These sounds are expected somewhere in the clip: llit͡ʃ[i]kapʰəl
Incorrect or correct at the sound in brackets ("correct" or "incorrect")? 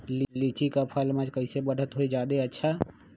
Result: correct